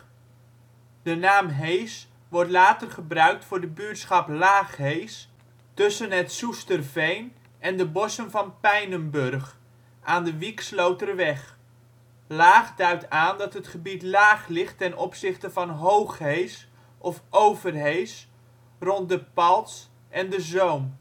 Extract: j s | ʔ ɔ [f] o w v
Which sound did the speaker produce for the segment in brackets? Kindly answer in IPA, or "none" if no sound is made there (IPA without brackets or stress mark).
f